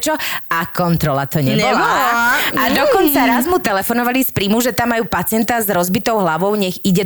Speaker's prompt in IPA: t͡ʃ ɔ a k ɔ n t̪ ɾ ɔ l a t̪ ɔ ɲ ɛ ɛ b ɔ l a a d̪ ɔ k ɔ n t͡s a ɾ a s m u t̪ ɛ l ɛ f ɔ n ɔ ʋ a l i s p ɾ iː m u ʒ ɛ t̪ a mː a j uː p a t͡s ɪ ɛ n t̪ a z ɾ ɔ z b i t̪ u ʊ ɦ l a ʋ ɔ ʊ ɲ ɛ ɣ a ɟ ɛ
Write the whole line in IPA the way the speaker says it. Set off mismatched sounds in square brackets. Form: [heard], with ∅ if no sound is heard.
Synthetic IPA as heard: t͡ʃ ɔ a k ɔ n t̪ ɾ ɔ l a t̪ ɔ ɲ ɛ ɛ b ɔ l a a d̪ ɔ k ɔ n t͡s a ɾ a [z] m u t̪ ɛ l ɛ f ɔ n ɔ ʋ a l i s p ɾ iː m u ʒ ɛ t̪ a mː a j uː p a t͡s ɪ ɛ n t̪ a z ɾ ɔ z b i t̪ [ɔ] ʊ ɦ l a ʋ ɔ ʊ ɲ ɛ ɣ [i] ɟ ɛ